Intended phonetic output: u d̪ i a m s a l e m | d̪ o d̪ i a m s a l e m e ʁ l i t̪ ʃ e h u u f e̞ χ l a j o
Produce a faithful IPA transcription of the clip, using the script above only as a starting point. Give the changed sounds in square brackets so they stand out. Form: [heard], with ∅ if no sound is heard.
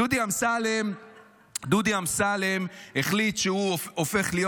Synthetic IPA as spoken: u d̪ i a m s a l e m | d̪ [u] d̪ i a m s a l e m e [χ] l i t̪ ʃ e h u [o] f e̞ χ l [i] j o